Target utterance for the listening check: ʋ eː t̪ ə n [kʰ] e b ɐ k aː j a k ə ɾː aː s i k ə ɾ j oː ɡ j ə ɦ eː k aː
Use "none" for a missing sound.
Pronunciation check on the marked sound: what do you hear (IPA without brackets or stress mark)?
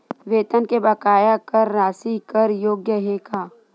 k